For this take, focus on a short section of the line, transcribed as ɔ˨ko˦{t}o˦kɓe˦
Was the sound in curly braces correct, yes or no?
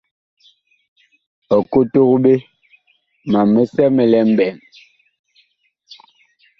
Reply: yes